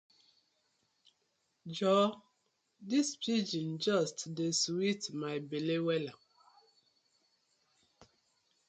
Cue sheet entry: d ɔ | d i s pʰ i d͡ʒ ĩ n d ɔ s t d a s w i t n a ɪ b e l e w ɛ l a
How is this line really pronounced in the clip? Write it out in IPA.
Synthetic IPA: d͡ʒ ɔ | d i s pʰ i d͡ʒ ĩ n d͡ʒ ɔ s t d e s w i t m a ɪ b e l e w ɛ l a